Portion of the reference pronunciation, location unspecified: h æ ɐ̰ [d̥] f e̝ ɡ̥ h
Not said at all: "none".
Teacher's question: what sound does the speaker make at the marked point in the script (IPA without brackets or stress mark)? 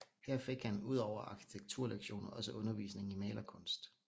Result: none